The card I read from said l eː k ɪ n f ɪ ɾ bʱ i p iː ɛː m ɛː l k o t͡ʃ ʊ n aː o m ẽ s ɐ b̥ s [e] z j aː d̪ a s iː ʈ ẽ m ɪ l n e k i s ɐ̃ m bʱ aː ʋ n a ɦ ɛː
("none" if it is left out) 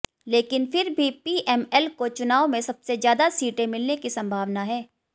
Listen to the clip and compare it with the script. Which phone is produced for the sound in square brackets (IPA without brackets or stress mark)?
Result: e